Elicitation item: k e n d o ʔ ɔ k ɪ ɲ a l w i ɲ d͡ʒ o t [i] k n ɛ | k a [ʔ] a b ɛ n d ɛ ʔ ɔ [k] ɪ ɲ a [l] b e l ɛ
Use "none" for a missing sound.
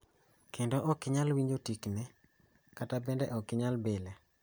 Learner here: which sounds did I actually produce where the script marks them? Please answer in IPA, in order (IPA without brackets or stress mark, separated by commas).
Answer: i, t, k, l